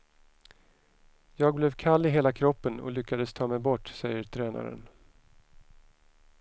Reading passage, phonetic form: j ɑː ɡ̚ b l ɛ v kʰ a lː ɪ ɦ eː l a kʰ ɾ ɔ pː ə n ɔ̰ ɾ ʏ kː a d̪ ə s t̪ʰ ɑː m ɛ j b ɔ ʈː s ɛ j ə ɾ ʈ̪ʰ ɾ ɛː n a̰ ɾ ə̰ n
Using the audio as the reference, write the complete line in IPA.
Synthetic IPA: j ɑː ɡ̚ b l ɛ v kʰ a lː ɪ ɦ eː l a kʰ ɾ ɔ pː ə n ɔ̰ l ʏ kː a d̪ ə s t̪ʰ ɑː m ɛ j b ɔ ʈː s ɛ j ə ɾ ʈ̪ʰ ɾ ɛː n a̰ ɾ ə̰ n